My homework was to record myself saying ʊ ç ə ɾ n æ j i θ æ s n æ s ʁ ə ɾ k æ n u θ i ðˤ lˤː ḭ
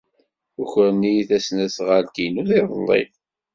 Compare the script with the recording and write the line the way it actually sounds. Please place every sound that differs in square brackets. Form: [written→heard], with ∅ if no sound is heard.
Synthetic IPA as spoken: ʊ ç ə ɾ n [æ→i] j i θ æ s n æ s ʁ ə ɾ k [æ→i] n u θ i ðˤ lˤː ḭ